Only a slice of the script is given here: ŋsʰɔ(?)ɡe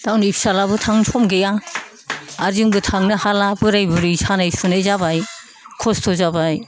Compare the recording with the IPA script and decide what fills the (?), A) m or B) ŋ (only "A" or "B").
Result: A